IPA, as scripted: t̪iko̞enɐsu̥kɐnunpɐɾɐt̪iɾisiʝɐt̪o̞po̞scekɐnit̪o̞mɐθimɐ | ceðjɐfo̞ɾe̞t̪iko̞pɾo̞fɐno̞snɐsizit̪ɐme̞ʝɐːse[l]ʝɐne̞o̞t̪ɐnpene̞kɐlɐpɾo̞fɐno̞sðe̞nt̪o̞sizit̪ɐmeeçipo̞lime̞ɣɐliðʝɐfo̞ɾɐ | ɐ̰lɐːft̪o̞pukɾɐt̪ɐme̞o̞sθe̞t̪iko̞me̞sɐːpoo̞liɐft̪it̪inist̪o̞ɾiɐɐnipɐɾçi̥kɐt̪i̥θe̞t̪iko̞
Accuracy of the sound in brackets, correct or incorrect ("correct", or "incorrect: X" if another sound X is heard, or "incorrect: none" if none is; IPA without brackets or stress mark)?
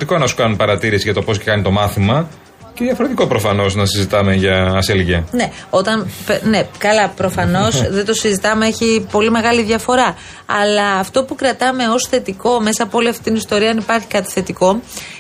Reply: correct